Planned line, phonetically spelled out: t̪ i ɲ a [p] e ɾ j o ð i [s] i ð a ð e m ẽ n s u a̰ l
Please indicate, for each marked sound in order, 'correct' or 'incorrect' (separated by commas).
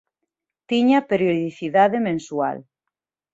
correct, incorrect